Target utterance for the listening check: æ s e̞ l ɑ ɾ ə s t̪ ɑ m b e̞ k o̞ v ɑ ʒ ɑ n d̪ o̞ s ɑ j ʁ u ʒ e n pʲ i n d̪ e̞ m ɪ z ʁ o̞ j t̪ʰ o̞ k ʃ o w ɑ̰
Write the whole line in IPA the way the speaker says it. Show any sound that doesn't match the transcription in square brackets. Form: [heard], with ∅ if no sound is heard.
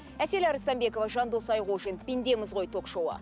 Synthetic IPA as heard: æ s e̞ l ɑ ɾ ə s t̪ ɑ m b e̞ k o̞ v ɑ ʒ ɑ n d̪ o̞ s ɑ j ʁ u ʒ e n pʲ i n d̪ e̞ m ɪ z ʁ o̞ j t̪ʰ o̞ k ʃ o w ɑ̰